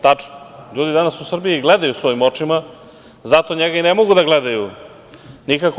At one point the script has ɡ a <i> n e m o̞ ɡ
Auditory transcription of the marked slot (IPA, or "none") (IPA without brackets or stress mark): i